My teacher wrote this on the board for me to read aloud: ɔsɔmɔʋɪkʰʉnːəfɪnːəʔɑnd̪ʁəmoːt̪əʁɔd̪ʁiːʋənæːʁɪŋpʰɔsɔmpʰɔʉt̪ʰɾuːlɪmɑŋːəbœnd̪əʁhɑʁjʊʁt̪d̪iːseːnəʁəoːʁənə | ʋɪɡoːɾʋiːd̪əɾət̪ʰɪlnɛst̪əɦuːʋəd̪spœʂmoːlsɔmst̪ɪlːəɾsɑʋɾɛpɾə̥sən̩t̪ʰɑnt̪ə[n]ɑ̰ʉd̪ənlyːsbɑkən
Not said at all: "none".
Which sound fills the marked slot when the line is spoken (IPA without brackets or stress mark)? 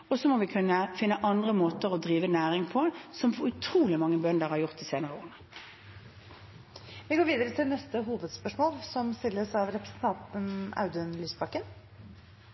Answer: n